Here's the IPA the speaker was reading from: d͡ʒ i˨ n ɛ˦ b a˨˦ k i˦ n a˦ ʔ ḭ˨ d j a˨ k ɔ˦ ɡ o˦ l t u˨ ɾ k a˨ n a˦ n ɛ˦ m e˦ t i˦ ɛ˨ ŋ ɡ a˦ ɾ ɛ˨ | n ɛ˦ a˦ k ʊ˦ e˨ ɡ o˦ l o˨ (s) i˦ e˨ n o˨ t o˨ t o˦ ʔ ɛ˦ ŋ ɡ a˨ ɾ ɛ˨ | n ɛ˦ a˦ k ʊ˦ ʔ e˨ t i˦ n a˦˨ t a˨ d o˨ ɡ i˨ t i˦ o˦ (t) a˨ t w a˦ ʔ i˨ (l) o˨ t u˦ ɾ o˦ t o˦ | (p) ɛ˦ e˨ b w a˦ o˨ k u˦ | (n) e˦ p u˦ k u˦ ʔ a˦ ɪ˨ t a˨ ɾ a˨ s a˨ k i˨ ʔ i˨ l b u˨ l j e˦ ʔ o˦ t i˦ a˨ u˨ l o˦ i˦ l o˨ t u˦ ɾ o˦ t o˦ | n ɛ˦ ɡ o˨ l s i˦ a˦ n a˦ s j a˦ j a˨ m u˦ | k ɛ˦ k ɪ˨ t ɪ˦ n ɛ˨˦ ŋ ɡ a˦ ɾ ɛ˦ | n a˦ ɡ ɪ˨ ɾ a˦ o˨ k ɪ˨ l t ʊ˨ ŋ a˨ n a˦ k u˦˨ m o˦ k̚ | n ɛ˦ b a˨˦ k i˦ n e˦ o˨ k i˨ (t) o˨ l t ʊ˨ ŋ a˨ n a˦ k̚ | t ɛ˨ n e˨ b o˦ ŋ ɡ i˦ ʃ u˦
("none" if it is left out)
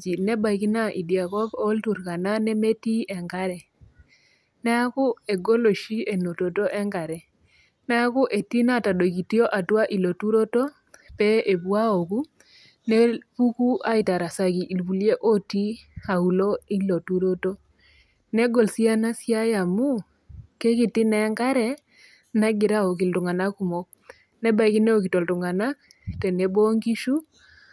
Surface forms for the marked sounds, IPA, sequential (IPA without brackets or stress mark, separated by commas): ʃ, ʔ, l, p, n, t